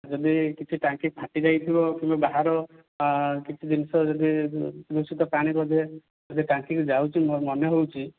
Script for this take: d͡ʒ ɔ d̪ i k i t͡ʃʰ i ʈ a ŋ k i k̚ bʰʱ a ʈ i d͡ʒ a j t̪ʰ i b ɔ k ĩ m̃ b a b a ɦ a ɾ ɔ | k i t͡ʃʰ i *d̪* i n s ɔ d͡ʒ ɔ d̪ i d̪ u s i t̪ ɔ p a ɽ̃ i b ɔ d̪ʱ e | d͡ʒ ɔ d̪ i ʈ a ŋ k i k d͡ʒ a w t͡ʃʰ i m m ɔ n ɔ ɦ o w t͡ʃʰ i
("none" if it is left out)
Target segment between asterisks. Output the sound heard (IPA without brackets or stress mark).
d̪